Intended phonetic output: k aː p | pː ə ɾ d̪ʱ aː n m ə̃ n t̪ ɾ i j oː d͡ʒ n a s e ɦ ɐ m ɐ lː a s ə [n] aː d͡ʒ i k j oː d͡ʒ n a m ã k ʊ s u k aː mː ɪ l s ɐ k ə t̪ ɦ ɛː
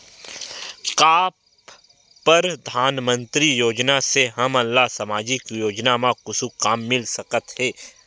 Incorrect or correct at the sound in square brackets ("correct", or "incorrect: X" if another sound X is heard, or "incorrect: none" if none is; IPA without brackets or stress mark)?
incorrect: m